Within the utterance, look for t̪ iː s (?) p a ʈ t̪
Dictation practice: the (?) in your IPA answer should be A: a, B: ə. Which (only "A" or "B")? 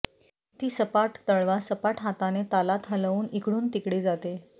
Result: B